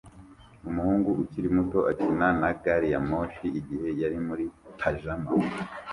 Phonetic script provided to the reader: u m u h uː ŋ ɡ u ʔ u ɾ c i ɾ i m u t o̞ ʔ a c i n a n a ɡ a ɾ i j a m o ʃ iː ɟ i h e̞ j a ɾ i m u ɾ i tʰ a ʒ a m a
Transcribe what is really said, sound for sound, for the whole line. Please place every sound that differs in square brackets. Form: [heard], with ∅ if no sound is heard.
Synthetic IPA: u m u h uː ŋ ɡ u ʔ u [∅] c i ɾ i m u t o̞ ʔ a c i n a n a ɡ a ɾ i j a m o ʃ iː ɟ i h e̞ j a ɾ i m u ɾ i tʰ a ʒ a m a